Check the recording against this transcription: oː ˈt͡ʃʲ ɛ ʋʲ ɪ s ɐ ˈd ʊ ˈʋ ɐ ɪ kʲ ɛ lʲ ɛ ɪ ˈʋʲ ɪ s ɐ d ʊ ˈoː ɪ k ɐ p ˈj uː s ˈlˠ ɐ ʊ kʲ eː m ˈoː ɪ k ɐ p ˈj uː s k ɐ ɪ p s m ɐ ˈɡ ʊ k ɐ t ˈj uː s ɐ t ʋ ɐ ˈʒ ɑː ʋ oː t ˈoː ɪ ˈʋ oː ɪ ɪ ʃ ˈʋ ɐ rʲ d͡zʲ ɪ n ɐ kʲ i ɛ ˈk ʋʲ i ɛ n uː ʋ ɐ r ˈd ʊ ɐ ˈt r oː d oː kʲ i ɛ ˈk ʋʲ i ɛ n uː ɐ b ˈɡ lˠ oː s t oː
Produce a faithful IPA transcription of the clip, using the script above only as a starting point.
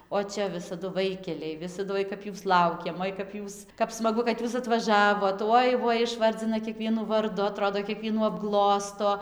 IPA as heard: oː ˈt͡ʃʲ ɛ ʋʲ ɪ s ɐ ˈd ʊ ˈʋ ɐ ɪ kʲ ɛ lʲ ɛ ɪ ˈʋʲ ɪ s ɐ d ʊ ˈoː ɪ k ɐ p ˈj uː s ˈlˠ ɐ ʊ kʲ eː m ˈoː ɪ k ɐ p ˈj uː s k ɐ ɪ p s m ɐ ˈɡ ʊ k ɐ t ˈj uː s ɐ t ʋ ɐ ˈʒ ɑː ʋ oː t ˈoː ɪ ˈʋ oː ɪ ɪ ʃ ˈʋ ɐ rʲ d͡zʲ ɪ n ɐ kʲ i ɛ ˈk ʋʲ i ɛ n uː ʋ ɐ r ˈd ʊ ɐ ˈt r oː d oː kʲ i ɛ ˈk ʋʲ i ɛ n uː ɐ b ˈɡ lˠ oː s t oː